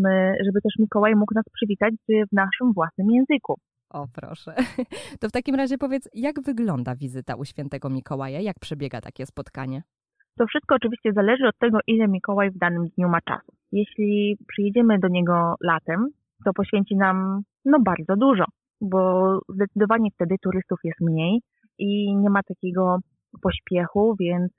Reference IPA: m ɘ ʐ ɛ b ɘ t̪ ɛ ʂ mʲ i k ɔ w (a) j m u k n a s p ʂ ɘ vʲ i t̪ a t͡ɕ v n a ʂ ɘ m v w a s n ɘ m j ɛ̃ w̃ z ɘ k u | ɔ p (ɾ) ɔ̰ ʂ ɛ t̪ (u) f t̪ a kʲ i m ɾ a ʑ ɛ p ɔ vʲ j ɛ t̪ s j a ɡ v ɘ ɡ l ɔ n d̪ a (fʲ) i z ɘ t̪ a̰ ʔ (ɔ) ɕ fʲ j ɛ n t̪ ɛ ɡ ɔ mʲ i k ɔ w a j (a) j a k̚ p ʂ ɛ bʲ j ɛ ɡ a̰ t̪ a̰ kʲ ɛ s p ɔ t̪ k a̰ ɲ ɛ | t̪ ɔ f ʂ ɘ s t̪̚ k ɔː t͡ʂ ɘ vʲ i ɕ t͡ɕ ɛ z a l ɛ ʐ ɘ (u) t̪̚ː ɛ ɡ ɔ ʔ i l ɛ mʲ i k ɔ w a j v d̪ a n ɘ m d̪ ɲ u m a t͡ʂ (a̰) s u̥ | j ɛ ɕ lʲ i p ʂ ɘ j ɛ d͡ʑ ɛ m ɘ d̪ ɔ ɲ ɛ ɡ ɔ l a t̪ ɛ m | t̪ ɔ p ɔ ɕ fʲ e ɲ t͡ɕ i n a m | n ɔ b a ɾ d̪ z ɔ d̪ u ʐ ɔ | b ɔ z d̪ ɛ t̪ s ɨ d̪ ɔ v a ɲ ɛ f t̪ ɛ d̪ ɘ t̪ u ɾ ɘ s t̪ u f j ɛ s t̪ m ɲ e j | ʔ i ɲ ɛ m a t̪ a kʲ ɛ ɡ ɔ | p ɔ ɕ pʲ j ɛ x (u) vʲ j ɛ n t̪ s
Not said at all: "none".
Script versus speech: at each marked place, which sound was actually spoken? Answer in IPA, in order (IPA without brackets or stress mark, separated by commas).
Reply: a, ɾ, ɔ, vʲ, u, a, ɔ, a̰, u